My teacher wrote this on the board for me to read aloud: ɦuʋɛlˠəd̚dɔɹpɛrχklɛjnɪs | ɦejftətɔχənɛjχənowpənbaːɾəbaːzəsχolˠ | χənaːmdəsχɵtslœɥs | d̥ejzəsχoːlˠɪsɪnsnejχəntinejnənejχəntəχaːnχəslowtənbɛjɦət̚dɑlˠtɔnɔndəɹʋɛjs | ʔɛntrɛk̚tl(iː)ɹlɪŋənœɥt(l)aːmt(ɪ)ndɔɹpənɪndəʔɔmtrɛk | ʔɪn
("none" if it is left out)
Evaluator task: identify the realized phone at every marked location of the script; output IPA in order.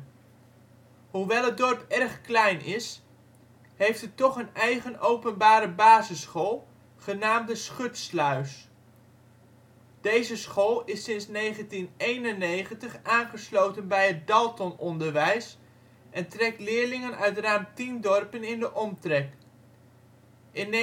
ɪː, r, i

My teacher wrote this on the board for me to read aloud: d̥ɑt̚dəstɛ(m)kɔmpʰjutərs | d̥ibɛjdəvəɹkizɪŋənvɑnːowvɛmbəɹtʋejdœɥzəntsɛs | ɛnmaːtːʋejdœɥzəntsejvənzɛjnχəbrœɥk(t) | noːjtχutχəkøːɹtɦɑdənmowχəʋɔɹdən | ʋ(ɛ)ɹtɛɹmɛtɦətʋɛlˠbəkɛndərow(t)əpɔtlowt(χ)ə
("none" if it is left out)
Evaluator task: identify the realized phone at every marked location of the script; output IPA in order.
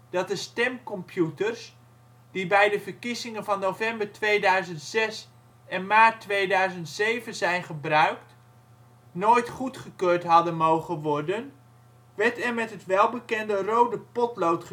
m, t, ɛ, d, χ

